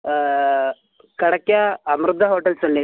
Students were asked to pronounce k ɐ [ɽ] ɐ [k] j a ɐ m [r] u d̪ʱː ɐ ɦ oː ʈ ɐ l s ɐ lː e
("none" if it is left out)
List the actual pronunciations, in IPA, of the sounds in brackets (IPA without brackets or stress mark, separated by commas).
ɽ, k, ɾ